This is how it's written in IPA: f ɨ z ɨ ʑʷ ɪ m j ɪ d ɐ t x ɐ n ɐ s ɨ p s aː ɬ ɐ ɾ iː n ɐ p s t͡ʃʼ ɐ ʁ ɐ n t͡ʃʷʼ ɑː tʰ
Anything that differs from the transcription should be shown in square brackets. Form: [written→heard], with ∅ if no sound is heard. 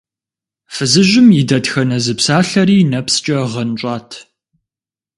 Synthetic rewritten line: f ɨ z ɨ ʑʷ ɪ m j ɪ d ɐ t x ɐ n ɐ [s→z] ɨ p s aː ɬ ɐ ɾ iː n ɐ p s t͡ʃʼ ɐ ʁ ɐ n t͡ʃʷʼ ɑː tʰ